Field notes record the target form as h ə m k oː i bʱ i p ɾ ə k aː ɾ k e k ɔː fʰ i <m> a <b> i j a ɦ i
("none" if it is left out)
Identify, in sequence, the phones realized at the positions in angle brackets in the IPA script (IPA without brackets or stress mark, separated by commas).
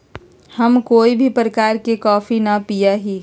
n, p